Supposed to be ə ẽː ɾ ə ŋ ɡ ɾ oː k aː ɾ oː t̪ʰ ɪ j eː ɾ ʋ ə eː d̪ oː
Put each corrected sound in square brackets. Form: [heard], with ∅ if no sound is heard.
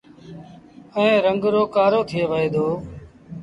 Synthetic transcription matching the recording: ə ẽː ɾ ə ŋ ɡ ɾ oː k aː ɾ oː t̪ʰ ɪ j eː [∅] ʋ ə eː d̪ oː